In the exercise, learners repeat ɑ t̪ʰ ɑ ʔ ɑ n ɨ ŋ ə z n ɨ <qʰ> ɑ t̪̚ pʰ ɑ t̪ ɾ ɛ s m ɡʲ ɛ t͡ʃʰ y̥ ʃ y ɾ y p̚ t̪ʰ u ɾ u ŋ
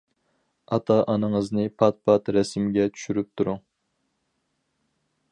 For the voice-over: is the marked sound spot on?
no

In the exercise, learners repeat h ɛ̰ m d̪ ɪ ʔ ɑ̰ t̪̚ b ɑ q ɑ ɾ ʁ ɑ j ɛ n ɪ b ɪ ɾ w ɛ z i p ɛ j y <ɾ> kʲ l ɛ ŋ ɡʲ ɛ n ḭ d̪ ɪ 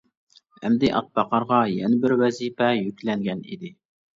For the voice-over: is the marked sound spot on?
no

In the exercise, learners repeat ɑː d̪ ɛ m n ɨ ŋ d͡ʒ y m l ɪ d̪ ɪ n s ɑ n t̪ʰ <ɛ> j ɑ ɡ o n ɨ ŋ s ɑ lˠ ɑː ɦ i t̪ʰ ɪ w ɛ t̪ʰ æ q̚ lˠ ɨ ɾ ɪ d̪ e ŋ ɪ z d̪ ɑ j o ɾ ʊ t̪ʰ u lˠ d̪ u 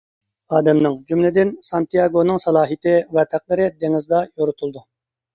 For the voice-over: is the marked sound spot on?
no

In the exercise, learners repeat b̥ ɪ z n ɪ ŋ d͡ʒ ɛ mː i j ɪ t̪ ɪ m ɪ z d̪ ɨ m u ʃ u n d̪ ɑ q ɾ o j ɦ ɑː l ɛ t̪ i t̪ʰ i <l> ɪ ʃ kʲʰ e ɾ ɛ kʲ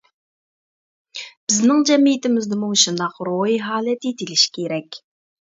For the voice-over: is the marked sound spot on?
yes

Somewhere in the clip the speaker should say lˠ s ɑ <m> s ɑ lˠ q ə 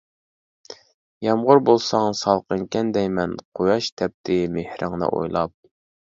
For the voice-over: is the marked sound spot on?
no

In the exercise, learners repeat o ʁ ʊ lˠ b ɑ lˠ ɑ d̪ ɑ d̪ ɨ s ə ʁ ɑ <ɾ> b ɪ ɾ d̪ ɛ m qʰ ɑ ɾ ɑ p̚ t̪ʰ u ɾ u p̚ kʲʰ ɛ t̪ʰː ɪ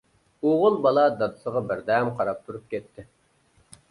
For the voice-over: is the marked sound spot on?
no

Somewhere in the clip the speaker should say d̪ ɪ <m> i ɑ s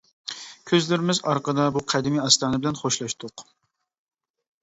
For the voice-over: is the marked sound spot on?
yes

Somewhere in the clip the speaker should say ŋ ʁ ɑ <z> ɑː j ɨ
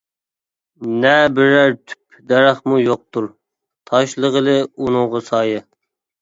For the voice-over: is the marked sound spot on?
no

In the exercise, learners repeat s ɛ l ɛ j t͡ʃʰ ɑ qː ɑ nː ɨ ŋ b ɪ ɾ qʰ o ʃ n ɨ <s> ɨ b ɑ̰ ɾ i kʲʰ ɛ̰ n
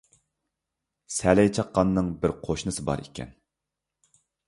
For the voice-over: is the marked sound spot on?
yes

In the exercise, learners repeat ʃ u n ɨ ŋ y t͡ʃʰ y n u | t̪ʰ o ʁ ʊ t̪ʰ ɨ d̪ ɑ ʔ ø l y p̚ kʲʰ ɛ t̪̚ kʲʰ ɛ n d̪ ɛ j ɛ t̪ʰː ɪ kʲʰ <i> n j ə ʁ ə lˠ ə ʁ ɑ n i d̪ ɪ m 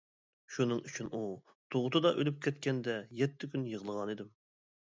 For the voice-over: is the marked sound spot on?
no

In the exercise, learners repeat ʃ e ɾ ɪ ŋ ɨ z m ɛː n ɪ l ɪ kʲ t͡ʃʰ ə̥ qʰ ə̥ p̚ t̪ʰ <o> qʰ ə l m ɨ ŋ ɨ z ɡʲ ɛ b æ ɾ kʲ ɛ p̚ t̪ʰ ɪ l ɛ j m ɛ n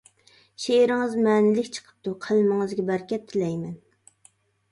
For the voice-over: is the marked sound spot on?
no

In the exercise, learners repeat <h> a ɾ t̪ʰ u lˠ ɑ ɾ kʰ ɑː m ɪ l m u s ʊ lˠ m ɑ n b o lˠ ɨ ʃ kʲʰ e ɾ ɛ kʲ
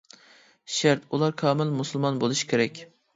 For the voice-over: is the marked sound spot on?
no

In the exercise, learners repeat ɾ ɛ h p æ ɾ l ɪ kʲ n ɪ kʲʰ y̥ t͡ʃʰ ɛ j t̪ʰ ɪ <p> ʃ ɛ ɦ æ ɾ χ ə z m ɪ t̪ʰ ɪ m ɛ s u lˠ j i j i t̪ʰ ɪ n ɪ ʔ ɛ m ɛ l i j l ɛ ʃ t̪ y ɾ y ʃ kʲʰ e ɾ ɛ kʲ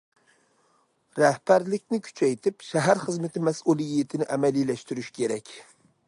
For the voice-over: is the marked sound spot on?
yes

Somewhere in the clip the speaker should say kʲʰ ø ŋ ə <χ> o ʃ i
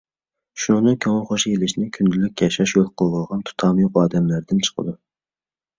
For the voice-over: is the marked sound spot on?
yes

